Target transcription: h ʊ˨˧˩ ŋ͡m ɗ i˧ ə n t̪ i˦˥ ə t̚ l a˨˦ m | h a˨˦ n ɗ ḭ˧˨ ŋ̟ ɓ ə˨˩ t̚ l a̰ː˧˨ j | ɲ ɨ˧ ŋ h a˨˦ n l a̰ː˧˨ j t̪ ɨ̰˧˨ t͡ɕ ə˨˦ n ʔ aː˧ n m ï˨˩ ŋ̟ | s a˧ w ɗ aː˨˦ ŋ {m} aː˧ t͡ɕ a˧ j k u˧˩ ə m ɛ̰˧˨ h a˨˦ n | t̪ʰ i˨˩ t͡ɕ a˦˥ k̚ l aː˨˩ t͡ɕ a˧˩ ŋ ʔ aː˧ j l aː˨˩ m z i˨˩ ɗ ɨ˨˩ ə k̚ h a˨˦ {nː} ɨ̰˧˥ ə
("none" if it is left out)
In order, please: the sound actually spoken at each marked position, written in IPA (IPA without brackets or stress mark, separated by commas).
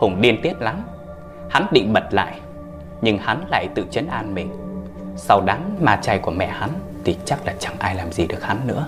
m, nː